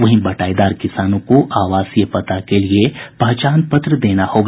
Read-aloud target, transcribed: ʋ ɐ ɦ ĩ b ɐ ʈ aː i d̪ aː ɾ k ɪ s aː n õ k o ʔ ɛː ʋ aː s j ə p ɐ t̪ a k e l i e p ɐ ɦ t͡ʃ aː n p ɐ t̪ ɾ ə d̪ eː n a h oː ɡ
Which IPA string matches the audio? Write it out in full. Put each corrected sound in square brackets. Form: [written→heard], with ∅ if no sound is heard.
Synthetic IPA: ʋ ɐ ɦ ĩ b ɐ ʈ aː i d̪ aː ɾ k ɪ s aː n õ k o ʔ [ɛː→aː] ʋ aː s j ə p ɐ t̪ a k e l i e p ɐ ɦ t͡ʃ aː n p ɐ t̪ ɾ ə d̪ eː n a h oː ɡ